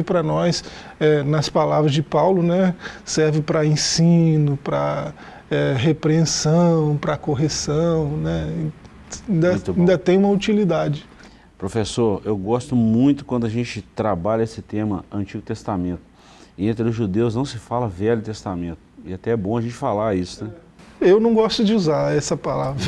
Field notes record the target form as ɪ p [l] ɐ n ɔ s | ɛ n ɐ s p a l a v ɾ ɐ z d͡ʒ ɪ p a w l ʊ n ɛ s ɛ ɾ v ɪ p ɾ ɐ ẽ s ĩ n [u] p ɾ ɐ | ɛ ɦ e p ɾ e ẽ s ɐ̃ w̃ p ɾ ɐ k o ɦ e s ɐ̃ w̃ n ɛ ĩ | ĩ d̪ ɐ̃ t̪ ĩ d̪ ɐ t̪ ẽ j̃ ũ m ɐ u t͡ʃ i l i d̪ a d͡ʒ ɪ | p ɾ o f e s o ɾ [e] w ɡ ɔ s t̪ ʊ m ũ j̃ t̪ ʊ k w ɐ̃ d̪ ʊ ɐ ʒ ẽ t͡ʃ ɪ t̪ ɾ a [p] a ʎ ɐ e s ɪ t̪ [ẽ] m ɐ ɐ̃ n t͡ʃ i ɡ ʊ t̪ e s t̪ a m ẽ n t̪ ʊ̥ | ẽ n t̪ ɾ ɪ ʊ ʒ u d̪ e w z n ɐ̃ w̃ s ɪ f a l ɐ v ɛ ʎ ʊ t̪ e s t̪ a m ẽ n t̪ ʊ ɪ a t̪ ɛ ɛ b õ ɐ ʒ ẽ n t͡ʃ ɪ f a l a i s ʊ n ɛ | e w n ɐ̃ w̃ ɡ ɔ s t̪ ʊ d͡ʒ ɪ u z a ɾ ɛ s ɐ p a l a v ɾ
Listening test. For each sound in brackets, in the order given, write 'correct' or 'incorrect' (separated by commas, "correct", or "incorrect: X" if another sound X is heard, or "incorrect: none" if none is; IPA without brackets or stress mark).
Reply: incorrect: ɾ, incorrect: ʊ, correct, incorrect: b, correct